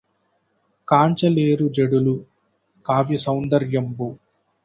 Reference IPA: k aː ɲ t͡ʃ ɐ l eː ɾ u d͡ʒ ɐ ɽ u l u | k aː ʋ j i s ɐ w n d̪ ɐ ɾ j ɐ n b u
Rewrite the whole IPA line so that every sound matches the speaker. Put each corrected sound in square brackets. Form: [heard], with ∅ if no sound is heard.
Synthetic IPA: k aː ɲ t͡ʃ ɐ l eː ɾ u d͡ʒ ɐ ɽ u l u | k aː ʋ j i s ɐ w n d̪ ɐ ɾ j ɐ [m] b u